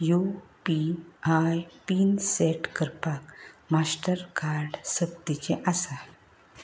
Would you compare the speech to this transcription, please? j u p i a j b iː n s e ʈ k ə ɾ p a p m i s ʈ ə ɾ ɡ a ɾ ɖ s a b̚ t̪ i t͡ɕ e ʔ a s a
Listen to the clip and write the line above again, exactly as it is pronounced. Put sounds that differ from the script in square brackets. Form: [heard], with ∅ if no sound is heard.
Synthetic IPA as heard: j u p i a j [p] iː n s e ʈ k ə ɾ p a [k] m [a] s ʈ ə ɾ [k] a ɾ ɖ s [ə] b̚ t̪ i t͡ɕ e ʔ a s a